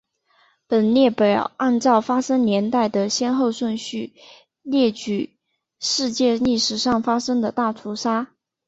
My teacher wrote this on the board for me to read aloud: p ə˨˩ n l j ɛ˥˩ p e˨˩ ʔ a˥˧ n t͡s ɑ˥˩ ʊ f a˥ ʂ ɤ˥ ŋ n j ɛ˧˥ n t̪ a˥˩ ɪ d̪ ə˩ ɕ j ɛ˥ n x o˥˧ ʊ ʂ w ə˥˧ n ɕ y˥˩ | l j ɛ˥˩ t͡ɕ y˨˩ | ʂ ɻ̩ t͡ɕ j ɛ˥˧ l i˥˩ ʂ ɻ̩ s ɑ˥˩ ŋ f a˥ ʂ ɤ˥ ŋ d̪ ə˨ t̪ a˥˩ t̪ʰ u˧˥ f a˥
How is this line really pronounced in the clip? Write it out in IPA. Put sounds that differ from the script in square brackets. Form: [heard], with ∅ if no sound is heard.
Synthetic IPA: p ə˨˩ n l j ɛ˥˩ p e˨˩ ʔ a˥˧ n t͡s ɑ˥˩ ʊ f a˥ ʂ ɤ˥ ŋ n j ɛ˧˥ n t̪ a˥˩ ɪ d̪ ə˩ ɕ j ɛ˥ n x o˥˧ ʊ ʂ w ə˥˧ n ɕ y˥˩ | l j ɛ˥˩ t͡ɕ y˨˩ | ʂ ɻ̩ t͡ɕ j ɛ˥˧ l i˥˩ ʂ ɻ̩ [ʂ] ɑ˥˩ ŋ f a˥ ʂ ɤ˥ ŋ d̪ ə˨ t̪ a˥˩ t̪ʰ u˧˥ [ʂ] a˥